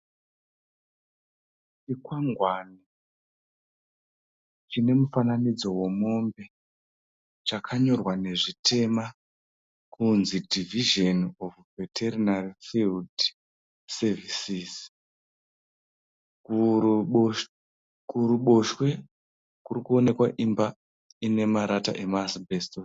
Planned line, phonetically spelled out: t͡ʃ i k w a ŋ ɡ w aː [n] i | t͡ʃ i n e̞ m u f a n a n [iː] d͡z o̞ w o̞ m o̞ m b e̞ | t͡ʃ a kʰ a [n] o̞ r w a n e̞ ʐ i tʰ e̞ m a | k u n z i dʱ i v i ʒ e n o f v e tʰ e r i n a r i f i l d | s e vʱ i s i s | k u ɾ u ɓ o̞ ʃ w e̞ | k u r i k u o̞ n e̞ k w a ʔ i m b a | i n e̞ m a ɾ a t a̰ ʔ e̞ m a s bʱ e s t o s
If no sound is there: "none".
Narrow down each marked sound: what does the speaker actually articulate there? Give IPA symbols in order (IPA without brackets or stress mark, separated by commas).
n, i, ɲ